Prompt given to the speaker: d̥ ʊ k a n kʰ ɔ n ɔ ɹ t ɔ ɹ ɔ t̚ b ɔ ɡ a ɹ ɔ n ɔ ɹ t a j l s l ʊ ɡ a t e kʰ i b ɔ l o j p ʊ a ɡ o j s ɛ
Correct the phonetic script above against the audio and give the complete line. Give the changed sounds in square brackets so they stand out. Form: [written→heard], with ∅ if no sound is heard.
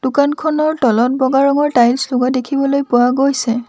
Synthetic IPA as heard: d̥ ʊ k a n kʰ ɔ n ɔ ɹ t ɔ [ɹ→l] ɔ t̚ b ɔ ɡ a ɹ ɔ [n→ŋ] ɔ ɹ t a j l s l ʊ ɡ a [t→d] e kʰ i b ɔ l o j p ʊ a ɡ o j s ɛ